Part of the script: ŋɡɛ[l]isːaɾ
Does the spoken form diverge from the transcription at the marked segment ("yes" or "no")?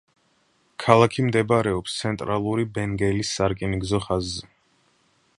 no